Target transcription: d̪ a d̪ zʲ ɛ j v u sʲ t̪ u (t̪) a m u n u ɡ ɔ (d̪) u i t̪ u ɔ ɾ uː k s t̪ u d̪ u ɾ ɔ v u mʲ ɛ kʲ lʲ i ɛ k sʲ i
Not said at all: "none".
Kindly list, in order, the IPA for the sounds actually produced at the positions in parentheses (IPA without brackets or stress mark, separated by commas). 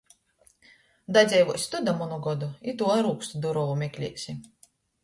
d̪, d̪